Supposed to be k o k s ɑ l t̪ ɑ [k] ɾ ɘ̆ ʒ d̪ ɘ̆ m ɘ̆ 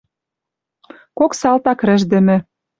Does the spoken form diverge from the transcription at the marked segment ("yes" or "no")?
no